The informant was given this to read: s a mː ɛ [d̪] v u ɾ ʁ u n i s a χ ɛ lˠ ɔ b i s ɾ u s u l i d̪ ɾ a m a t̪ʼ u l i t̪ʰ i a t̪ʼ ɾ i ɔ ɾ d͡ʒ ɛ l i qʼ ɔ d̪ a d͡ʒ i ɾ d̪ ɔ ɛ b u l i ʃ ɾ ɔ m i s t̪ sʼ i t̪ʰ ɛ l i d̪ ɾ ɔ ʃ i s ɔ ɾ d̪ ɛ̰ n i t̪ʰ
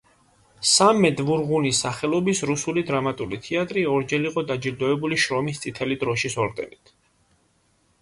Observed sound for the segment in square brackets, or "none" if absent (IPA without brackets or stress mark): d̪